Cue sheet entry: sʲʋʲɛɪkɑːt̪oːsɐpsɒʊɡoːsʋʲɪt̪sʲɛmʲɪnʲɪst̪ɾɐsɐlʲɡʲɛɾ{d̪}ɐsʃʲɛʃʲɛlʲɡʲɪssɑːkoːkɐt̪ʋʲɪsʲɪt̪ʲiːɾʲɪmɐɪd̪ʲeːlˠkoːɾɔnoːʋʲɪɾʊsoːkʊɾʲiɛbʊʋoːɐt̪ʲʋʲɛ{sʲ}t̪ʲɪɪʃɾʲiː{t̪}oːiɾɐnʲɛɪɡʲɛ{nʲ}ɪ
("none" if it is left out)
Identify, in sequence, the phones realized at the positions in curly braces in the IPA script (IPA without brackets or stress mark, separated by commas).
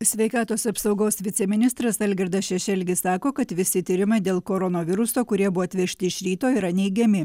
d̪, ʃʲ, t̪, mʲ